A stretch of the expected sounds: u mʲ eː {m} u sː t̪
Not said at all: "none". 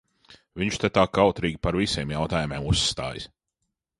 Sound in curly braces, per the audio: m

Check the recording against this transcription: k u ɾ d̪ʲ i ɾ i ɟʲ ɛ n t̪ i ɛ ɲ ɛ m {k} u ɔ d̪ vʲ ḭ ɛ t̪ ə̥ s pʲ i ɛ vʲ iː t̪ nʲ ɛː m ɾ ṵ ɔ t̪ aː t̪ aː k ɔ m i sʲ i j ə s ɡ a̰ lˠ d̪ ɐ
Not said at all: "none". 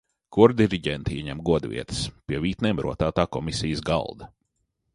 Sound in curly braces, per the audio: ɡ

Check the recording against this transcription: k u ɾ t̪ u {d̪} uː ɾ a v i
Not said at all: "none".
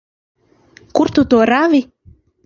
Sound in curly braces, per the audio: t̪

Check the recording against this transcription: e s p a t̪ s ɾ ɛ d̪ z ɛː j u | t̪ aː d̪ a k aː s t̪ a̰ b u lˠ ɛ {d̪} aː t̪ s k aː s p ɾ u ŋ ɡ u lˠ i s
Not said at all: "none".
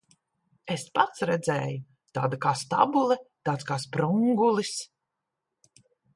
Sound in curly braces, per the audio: t̪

